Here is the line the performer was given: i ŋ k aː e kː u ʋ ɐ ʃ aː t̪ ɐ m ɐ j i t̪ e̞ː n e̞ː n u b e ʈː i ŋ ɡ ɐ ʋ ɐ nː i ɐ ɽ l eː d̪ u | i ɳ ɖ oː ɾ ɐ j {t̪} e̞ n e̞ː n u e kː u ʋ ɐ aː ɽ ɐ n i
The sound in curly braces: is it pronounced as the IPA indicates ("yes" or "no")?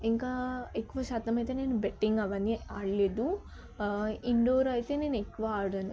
yes